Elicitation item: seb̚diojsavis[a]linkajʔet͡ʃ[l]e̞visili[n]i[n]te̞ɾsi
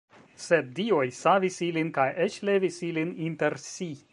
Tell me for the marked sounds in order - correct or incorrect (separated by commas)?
incorrect, correct, correct, correct